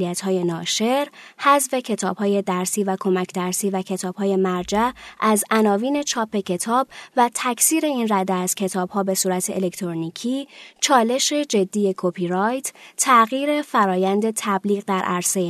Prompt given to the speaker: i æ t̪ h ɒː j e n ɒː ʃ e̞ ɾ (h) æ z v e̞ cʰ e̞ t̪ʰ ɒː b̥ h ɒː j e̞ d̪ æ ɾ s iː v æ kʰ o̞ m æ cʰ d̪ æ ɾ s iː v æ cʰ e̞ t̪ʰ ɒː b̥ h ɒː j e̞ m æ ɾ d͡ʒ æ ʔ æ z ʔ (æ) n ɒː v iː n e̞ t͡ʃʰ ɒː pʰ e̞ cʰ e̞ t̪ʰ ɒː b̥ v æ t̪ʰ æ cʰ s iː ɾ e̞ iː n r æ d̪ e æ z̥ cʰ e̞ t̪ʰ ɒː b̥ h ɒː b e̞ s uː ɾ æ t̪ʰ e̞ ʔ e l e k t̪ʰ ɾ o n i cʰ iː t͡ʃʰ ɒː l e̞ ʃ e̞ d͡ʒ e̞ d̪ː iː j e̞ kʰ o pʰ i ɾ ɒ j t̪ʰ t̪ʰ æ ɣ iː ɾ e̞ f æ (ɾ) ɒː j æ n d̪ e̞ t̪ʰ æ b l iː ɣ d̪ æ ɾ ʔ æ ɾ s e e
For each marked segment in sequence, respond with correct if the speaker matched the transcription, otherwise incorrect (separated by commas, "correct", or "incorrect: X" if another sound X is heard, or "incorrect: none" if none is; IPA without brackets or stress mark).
correct, correct, correct